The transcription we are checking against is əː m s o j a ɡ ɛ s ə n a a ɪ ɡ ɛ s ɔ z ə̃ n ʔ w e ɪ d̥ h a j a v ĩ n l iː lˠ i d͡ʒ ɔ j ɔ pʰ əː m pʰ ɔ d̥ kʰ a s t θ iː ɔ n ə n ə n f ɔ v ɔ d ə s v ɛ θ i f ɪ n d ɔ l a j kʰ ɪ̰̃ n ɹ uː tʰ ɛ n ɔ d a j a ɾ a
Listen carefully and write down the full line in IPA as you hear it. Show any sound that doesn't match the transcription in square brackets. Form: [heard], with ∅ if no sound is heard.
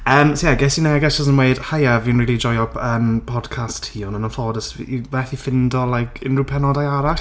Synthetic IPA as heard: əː m s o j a ɡ ɛ s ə n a a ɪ ɡ ɛ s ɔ z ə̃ n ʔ w e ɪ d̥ h a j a v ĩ n [ɹ] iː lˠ i d͡ʒ ɔ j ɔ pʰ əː m pʰ ɔ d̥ kʰ a s t [h] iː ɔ n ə n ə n f ɔ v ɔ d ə s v ɛ θ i f ɪ n d ɔ l a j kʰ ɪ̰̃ n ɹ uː [pʰ] ɛ n ɔ d a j a ɾ a